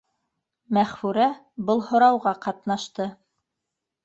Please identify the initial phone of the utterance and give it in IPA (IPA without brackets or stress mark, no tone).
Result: m